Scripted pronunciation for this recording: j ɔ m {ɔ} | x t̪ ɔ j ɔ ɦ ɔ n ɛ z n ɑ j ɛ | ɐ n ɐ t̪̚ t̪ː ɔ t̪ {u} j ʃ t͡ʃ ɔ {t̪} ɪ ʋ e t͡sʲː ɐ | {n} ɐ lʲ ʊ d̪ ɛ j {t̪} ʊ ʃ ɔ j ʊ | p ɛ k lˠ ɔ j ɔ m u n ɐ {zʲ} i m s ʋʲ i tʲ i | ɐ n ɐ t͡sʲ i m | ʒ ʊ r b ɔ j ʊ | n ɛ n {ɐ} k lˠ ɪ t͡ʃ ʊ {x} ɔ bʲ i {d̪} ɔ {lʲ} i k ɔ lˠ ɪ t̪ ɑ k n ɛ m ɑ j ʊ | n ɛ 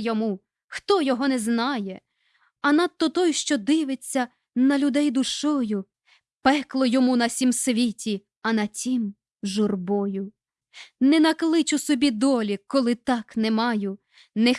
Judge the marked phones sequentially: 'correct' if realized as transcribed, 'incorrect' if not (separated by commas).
incorrect, incorrect, incorrect, correct, incorrect, incorrect, correct, incorrect, correct, correct